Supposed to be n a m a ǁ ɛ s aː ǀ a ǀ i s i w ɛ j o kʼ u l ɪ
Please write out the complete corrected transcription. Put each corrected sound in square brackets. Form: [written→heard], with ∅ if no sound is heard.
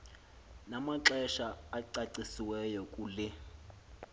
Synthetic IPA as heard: n a m a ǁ ɛ [s→ʃ] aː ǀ a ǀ i s i w ɛ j [o→ɔ] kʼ u l ɪ